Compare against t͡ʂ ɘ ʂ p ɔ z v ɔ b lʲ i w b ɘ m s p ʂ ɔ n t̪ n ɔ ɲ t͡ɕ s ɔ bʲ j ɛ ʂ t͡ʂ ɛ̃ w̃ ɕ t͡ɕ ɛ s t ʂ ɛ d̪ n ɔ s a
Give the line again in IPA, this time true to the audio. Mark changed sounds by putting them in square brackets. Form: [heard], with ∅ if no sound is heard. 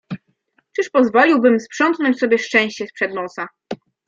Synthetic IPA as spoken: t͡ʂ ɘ ʂ p ɔ z v ɔ [∅] lʲ i w b ɘ m s p ʂ ɔ n t̪ n ɔ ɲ t͡ɕ s ɔ bʲ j ɛ ʂ t͡ʂ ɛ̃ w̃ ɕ t͡ɕ ɛ s [p] ʂ ɛ d̪ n ɔ s a